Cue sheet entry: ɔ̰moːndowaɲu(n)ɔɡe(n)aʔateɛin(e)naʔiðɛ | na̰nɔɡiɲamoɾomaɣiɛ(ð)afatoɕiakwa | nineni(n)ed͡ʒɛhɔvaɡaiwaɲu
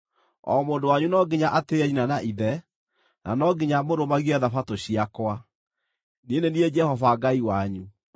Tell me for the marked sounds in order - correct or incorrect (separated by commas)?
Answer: correct, incorrect, incorrect, correct, incorrect